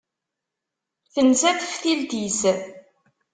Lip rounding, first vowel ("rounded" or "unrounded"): unrounded